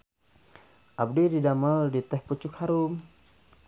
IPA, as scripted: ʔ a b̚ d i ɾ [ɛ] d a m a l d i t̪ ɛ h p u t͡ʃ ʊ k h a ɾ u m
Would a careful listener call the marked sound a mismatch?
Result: yes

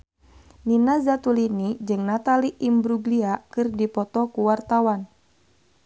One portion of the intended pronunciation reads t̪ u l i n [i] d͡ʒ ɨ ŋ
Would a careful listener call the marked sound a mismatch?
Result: no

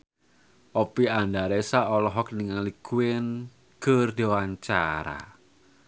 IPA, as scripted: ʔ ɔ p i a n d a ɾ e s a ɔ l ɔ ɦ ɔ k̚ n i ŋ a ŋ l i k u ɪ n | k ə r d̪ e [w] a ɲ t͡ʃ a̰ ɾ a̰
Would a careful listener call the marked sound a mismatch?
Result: no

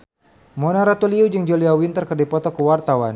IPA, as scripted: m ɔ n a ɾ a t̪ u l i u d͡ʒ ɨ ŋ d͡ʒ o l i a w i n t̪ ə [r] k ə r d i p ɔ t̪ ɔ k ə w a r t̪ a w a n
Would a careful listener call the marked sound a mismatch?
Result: no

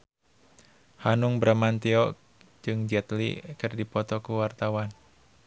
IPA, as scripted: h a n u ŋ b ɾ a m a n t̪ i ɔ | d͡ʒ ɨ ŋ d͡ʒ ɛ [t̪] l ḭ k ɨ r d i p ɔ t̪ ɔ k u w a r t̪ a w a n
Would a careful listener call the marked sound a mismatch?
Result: no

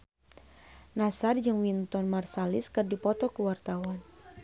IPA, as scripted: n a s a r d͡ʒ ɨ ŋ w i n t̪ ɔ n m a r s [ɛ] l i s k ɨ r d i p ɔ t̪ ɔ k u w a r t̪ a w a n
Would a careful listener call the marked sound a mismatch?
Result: yes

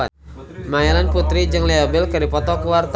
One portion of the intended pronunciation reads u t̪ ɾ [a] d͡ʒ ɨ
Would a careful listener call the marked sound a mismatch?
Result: yes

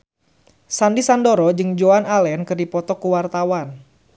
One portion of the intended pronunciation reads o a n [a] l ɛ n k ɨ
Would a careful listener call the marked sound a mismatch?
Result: no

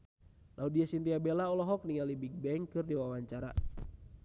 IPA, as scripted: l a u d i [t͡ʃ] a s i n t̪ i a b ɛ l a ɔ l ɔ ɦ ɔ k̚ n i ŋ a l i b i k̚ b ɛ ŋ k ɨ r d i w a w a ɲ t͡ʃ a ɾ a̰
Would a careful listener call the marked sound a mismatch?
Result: yes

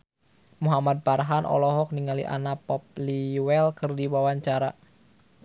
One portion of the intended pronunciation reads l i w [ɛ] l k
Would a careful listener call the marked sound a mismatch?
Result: no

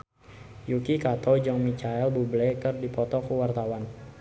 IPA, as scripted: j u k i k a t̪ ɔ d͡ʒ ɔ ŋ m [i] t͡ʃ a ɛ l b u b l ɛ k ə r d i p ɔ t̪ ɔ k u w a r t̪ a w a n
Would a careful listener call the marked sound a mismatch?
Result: no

